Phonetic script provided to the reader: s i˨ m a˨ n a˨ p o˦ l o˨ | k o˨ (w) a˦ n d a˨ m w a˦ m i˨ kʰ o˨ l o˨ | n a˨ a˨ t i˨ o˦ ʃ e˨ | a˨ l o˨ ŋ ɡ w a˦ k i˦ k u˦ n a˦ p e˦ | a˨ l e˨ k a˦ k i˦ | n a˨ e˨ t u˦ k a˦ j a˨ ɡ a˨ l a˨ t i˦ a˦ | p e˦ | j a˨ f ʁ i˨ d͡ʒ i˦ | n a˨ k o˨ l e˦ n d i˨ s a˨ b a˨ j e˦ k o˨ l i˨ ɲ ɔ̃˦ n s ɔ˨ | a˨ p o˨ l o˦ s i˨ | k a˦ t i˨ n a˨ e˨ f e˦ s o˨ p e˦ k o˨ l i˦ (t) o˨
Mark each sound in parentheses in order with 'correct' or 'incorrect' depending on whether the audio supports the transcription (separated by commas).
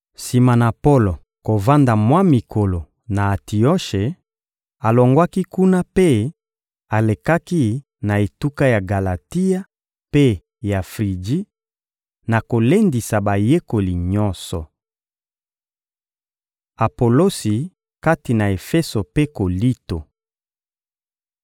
incorrect, correct